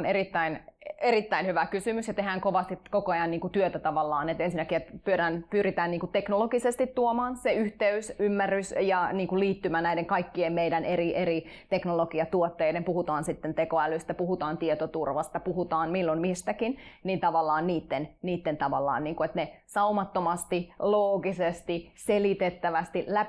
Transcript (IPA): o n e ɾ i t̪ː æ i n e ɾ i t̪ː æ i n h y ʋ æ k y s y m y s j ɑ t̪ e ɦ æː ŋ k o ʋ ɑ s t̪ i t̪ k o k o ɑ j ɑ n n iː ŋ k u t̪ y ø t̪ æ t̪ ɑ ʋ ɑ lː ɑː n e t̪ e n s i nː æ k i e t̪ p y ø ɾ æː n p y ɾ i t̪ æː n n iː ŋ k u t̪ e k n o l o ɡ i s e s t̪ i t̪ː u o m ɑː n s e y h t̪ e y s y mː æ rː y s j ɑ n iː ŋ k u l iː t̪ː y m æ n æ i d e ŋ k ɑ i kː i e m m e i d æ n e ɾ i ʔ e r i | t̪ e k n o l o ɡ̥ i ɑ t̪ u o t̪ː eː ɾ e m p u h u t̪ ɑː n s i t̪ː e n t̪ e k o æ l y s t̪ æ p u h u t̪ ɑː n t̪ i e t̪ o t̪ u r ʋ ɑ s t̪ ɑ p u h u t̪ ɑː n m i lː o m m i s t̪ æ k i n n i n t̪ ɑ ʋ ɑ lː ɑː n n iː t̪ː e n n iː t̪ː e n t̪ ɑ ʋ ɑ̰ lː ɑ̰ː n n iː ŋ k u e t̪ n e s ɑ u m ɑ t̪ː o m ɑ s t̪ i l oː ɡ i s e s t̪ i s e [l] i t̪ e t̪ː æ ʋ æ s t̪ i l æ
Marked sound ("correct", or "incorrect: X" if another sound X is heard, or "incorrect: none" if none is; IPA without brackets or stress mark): correct